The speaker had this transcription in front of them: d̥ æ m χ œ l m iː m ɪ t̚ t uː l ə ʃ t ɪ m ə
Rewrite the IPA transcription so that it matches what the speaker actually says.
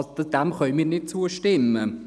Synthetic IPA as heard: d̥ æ m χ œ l m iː n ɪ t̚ t͡s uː ə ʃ t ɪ m ə

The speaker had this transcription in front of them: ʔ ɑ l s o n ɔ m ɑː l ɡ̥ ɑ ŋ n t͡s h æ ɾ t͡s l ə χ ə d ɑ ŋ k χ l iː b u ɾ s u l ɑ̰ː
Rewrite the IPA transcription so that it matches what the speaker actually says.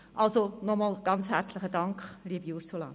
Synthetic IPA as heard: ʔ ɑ l s o n ɔ m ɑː l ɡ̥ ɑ n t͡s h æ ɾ t͡s l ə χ ə d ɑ ŋ k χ l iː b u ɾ s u l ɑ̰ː

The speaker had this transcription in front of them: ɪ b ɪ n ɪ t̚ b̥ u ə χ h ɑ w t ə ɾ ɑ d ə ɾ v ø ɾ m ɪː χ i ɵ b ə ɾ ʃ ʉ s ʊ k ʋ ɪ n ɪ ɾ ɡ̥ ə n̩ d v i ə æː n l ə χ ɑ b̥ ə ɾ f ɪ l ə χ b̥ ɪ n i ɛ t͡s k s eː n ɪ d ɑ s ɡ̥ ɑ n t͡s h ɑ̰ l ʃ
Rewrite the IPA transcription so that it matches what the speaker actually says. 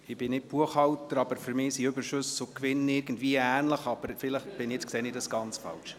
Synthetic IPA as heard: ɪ b ɪ n ɪ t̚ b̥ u ə χ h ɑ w t ə ɾ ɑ b ə ɾ f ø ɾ m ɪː s i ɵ b ə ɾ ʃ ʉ s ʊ k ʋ ɪ n ɪ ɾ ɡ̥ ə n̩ d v i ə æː n l ə χ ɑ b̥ ə ɾ f ɪ l ə χ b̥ ɪ n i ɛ t͡s k s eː n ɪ d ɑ s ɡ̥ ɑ n t͡s f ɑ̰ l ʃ

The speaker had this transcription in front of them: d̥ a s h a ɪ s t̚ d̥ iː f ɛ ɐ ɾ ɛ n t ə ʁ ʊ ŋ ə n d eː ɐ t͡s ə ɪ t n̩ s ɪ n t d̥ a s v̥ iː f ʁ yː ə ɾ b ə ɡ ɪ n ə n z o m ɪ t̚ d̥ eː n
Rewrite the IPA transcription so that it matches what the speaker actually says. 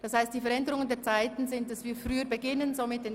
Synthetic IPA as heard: d̥ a s h a ɪ s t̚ d̥ iː f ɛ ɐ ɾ ɛ n d ə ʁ ʊ ŋ ə n d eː ɐ t͡s a ɪ t n̩ z ɪ n t d̥ a s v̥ iː f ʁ yː ə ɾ b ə ɡ ɪ n ə n z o m ɪ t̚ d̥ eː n

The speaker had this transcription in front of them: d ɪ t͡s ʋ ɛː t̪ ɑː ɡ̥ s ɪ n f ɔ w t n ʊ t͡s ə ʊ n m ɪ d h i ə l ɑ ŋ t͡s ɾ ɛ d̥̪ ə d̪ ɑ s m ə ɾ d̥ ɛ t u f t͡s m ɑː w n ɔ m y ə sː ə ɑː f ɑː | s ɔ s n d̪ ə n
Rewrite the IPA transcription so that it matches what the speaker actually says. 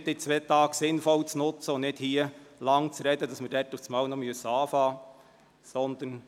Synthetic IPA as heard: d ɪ t͡s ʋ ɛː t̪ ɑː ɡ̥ s ɪ n f ɔ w t͡s n ʊ t͡s ə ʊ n n ɪ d h i ə l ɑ ŋ t͡s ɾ ɛ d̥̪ ə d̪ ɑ s m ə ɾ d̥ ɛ t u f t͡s m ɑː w n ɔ m y ə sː ə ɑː f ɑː | s ɔ n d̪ ə n

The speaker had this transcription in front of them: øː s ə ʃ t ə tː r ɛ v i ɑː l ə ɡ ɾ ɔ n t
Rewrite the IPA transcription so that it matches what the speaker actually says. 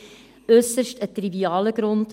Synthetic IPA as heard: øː s ə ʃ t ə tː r i v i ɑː l ə ɡ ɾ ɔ n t

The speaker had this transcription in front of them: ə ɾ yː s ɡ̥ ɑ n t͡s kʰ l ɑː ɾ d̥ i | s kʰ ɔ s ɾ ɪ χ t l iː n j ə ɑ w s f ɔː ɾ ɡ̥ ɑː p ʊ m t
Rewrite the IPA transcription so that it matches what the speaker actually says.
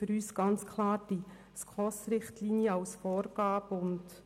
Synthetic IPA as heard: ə ɾ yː s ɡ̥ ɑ n t͡s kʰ l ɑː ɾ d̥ i | s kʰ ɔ s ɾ ɪ χ t l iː n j ə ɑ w s f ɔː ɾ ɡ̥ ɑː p ʊ n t

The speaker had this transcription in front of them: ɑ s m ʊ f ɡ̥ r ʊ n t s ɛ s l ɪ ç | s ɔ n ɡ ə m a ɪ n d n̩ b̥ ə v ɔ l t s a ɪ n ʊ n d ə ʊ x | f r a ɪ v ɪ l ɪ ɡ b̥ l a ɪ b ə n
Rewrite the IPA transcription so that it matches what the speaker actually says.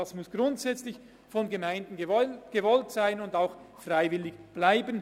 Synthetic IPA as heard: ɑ s m ʊ s ɡ̥ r ʊ n t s ɛ t͡s l ɪ ç | f ɔ n ɡ ə m a ɪ n d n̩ ɡ̥ ə v ɔ l t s a ɪ n ʊ n d a ʊ x | f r a ɪ v ɪ l ɪ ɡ b̥ l a ɪ b ə n

